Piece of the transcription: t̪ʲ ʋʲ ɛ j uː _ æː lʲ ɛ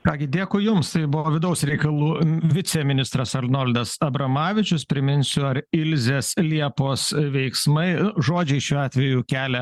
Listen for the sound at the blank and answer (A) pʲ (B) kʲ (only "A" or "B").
B